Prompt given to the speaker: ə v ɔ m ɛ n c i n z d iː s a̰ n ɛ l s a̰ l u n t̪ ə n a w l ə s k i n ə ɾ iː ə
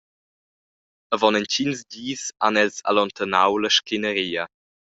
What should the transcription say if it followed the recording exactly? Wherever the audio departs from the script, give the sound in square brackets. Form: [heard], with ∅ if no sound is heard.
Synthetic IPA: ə v ɔ [n] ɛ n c i n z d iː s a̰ n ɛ l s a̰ l [ɔ] n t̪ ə n a w l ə [ʃ] k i n ə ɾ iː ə